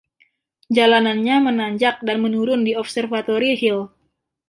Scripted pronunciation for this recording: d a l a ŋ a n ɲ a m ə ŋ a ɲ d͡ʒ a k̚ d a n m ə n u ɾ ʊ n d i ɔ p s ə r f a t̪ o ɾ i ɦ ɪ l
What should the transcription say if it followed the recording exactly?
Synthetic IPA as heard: d͡ʒ a l a n a n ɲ a m ə n a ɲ d͡ʒ a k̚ d a n m ə n u ɾ ʊ n d i ɔ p s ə r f a t̪ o ɾ i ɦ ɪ l